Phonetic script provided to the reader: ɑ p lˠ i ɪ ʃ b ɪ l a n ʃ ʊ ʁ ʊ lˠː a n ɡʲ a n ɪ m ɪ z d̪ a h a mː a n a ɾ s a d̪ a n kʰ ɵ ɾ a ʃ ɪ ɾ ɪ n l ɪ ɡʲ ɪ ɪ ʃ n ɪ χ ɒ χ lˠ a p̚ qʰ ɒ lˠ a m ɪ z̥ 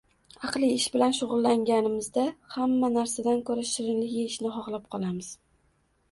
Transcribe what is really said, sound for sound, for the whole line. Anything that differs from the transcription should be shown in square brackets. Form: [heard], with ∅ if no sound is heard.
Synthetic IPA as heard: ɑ [q] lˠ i ɪ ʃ b ɪ l a n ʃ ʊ ʁ ʊ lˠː a [ŋ] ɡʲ a n ɪ m ɪ z d̪ a h a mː a n a ɾ s a d̪ a n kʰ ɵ ɾ a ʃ ɪ ɾ ɪ n l ɪ ɡʲ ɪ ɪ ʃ n ɪ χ ɒ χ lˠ a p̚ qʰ ɒ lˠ a m ɪ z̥